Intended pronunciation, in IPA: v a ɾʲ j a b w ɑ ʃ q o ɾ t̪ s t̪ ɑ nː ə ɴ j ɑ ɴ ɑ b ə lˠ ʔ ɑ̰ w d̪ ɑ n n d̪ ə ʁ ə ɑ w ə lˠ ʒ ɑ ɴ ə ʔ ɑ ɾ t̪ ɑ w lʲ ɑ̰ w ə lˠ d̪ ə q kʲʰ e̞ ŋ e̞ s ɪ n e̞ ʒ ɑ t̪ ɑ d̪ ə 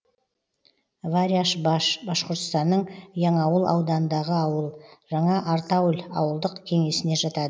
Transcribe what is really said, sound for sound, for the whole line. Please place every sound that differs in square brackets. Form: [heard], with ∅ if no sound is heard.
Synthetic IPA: v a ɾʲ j a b [b] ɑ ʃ q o ɾ t̪ s t̪ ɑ nː ə ɴ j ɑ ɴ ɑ [w] ə lˠ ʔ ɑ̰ w d̪ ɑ n n d̪ [ɑ] ʁ ə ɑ w ə lˠ ʒ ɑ ɴ [ɑ] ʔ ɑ ɾ t̪ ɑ w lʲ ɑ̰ w ə lˠ d̪ ə q kʲʰ e̞ ŋ e̞ s ɪ n e̞ ʒ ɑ t̪ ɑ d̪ ə